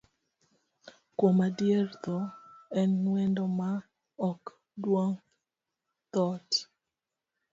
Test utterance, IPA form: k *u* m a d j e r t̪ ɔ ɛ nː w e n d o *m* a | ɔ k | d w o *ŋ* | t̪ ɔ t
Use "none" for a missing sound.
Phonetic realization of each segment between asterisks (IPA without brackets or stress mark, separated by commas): o, m, ŋ